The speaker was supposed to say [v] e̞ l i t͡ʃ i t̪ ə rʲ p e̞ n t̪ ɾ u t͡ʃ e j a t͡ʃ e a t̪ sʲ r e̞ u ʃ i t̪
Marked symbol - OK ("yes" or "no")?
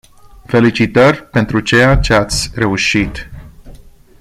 no